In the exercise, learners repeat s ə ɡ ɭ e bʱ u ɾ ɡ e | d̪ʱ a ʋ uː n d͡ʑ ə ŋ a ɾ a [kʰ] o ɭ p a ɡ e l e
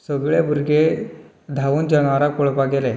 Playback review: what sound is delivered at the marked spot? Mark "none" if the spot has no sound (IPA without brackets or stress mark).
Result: k